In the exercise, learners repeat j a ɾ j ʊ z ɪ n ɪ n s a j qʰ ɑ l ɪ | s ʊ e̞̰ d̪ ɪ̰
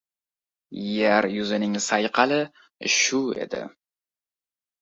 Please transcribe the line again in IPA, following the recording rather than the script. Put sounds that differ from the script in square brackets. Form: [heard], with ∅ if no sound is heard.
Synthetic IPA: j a ɾ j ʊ z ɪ n ɪ [ŋ] s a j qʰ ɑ l ɪ | [ʃ] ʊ e̞̰ d̪ ɪ̰